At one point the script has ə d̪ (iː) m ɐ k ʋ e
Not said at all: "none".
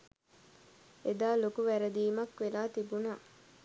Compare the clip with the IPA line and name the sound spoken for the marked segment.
iː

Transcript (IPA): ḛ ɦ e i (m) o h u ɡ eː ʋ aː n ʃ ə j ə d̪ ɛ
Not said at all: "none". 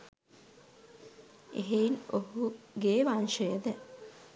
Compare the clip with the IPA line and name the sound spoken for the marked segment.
n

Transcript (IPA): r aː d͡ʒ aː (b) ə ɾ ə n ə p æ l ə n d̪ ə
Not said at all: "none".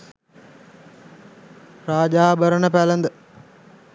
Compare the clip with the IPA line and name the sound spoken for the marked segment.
b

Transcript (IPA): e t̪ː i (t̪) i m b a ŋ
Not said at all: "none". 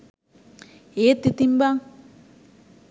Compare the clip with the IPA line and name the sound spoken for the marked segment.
t̪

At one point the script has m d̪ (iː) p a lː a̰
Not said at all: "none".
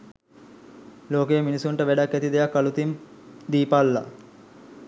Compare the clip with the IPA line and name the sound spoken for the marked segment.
iː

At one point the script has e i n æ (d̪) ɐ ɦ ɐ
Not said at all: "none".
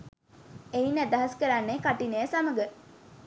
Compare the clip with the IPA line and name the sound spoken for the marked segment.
d̪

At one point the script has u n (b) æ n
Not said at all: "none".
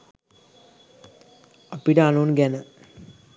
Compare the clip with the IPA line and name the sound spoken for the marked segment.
ɡ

